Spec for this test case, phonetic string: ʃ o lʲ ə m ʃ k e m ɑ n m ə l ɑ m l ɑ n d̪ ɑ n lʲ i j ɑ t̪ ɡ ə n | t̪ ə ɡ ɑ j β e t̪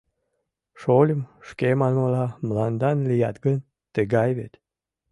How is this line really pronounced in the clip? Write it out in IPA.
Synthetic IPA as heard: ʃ o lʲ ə m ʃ k e m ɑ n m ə l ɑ m l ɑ n d̪ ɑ n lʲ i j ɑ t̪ ɡ ə n | t̪ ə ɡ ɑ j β e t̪